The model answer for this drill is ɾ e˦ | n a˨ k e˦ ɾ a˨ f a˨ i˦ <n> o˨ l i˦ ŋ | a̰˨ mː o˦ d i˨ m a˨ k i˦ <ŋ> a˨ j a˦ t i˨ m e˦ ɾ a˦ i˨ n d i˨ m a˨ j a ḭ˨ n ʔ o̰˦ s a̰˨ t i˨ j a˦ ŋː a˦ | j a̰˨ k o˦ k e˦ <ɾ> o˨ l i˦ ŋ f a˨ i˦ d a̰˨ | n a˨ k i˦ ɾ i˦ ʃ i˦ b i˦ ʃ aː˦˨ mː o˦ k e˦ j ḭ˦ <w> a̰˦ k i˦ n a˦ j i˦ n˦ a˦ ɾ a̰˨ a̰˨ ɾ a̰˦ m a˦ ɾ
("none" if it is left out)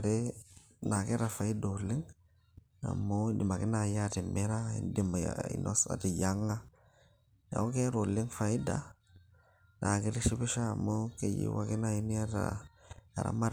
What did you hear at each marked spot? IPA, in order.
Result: d, n, ɾ, w

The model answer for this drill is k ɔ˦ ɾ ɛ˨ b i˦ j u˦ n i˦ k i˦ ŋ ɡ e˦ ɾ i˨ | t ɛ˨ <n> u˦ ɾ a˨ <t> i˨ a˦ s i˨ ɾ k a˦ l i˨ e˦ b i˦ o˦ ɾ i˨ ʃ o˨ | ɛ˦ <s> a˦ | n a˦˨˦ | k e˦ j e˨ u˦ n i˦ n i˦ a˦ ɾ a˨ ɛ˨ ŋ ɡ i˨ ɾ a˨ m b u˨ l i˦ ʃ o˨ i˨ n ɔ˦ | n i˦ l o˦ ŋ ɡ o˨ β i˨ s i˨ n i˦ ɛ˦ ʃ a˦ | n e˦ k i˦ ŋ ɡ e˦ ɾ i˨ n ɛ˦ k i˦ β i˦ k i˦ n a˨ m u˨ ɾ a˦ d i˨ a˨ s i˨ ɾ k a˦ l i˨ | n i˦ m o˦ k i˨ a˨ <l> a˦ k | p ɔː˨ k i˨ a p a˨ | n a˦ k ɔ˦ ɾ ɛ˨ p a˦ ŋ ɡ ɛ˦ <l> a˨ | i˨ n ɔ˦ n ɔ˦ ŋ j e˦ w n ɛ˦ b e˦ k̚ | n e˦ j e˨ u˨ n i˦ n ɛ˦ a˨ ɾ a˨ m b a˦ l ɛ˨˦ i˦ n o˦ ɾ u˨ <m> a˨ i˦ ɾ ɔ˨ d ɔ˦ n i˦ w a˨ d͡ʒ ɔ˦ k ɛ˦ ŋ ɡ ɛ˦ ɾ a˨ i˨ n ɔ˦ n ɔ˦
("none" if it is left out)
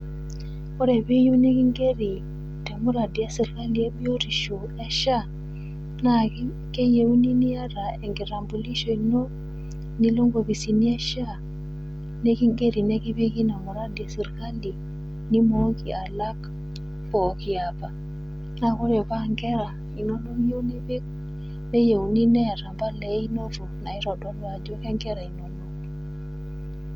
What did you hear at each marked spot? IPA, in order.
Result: m, d, ʃ, l, ɾ, n

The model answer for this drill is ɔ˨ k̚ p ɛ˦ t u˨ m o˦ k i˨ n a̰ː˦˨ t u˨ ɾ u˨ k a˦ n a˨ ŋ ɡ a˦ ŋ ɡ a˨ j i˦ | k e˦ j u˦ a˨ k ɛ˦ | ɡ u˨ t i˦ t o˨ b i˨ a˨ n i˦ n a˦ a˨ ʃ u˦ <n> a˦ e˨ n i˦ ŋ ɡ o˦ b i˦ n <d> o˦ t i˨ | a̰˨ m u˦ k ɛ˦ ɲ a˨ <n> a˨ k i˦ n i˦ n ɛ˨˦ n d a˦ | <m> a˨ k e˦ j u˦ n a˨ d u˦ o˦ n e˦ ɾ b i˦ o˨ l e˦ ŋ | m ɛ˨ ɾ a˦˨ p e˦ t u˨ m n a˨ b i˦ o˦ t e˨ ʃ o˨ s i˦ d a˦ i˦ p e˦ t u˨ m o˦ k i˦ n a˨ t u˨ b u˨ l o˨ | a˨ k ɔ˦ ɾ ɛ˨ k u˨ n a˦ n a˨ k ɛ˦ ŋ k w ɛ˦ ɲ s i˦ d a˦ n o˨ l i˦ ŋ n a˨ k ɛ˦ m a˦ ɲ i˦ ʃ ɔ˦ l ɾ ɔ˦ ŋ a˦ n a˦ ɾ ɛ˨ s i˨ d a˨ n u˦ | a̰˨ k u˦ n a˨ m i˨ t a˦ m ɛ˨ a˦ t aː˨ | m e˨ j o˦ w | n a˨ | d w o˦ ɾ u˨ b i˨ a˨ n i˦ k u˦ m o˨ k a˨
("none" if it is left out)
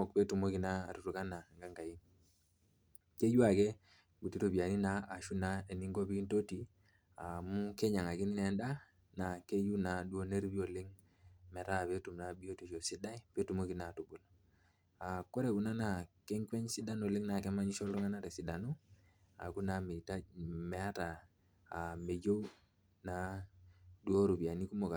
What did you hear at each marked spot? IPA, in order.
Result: n, t, ŋ, n

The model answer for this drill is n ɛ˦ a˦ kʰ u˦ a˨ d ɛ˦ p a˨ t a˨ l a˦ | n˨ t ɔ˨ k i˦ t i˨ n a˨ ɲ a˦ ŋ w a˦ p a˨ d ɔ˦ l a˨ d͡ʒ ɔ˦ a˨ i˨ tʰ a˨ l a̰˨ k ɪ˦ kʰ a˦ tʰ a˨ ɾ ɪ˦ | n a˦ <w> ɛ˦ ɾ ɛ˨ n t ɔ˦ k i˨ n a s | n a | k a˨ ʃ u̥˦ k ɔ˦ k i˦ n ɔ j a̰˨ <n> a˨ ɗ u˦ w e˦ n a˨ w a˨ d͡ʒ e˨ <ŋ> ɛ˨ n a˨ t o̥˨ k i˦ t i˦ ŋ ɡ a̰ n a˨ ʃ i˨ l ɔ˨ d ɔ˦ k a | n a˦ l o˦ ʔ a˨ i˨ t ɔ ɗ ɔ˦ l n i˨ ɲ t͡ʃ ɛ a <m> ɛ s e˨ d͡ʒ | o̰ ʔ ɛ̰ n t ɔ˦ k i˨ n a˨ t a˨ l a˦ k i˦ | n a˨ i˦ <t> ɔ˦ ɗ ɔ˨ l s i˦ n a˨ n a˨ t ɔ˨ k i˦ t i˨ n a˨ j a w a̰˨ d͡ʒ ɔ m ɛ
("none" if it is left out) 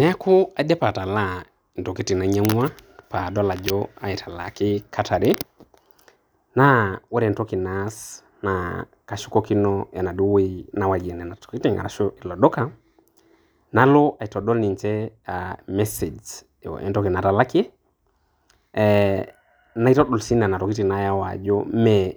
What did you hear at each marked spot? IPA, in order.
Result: w, n, n, m, t

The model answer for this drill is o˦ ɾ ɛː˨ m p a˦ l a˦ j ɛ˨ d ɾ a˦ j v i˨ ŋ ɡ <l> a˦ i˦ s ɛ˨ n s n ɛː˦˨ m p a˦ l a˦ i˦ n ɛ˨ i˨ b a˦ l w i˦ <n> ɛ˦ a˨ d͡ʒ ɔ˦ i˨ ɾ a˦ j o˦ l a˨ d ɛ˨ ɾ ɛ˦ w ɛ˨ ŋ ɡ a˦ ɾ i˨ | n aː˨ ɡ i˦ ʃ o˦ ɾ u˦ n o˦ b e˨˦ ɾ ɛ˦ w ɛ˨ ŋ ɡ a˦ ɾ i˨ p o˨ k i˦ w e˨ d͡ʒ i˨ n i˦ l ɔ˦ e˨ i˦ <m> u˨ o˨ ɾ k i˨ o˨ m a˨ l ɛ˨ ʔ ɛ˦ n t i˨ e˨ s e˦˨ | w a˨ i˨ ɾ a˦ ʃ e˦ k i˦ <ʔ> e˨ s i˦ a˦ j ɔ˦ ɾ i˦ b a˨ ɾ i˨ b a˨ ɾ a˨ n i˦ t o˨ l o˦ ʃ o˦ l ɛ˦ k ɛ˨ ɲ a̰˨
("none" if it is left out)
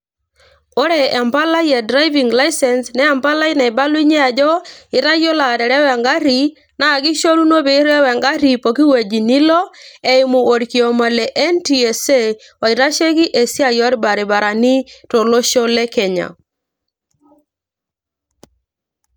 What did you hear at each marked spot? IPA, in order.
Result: l, ɲ, m, ʔ

